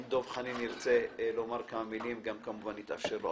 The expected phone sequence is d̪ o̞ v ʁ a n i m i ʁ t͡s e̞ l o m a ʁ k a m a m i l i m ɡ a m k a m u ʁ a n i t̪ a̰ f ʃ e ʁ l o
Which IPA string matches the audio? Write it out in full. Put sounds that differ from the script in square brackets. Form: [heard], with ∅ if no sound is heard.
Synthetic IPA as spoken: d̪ o̞ v [χ] a n i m i ʁ t͡s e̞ l o m a ʁ k a m a m i l i m ɡ a m k a m u [v] a n i t̪ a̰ f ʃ e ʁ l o